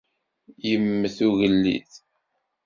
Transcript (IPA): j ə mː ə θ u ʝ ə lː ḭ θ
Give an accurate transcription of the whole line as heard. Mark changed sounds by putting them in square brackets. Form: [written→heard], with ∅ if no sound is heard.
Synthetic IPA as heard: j ə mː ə θ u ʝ ə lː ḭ θ